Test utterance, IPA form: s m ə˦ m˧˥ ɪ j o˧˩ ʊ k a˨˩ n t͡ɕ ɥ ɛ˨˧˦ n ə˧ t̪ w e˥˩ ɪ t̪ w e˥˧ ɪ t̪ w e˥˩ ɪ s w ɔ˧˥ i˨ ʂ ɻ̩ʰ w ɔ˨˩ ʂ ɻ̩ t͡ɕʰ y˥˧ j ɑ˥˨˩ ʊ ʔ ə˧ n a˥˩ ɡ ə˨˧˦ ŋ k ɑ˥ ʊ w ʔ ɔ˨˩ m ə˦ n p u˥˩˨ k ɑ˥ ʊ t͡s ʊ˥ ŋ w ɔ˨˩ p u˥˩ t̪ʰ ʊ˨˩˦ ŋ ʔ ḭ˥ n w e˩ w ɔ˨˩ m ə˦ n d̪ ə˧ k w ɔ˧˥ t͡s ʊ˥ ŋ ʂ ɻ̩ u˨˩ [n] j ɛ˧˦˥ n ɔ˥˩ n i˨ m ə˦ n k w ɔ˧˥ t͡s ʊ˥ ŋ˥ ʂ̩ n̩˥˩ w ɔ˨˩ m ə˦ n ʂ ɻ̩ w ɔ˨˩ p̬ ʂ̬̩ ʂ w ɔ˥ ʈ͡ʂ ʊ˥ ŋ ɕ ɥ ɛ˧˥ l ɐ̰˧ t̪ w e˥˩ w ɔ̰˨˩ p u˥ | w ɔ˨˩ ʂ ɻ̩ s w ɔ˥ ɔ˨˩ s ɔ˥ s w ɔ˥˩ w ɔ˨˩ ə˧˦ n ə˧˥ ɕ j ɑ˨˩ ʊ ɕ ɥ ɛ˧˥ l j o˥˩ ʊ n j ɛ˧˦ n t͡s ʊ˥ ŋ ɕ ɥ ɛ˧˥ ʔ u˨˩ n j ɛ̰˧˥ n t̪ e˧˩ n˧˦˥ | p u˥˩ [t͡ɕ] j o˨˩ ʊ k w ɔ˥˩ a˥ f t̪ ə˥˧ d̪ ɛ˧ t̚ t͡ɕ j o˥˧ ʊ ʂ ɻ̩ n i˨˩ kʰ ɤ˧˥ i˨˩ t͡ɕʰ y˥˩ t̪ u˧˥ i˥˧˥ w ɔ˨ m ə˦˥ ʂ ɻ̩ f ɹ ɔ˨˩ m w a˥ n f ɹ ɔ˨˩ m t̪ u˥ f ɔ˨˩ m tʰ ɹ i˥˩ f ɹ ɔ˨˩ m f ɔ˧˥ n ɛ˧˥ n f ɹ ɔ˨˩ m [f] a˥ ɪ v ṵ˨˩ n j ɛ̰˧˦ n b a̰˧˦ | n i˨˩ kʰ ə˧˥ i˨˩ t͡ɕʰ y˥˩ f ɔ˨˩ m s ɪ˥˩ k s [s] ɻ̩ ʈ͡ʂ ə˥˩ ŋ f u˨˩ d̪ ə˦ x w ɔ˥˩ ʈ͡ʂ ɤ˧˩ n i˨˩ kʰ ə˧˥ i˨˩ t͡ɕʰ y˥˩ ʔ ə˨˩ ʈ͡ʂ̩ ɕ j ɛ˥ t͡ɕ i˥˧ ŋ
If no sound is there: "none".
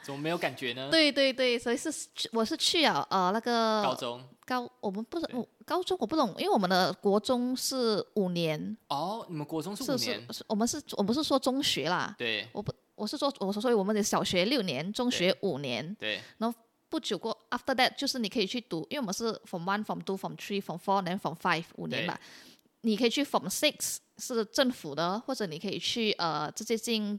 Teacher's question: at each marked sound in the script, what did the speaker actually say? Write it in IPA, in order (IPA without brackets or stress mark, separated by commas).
n, t͡ɕ, f, ʂ